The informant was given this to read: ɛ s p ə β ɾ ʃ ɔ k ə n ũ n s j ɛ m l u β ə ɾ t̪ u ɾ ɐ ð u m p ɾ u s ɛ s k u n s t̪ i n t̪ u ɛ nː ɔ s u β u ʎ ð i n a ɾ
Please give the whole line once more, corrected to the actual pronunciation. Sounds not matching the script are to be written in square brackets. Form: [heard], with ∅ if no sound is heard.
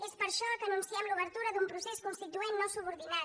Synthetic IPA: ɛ s p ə [∅] ɾ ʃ ɔ k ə n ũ n s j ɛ m l u β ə ɾ t̪ u ɾ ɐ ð u m p ɾ u s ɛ s k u n s t̪ i [∅] t̪ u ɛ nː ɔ s u β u [ɾ] ð i n a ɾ